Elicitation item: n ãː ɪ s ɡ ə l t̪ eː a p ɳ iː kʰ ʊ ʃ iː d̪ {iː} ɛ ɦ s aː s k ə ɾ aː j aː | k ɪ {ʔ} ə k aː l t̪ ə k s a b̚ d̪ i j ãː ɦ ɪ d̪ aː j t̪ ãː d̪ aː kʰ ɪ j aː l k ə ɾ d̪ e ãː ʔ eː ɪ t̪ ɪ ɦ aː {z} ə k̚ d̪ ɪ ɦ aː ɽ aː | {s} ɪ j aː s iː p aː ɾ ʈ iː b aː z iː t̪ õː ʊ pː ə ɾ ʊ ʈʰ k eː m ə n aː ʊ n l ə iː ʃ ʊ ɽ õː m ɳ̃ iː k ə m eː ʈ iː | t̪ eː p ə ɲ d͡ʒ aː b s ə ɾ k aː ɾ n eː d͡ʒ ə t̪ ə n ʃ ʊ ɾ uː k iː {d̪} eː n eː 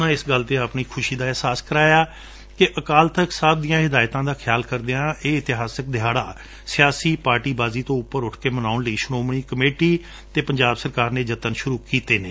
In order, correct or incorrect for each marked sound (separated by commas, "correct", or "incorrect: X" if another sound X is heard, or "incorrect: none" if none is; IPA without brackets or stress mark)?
incorrect: aː, correct, incorrect: s, correct, incorrect: t̪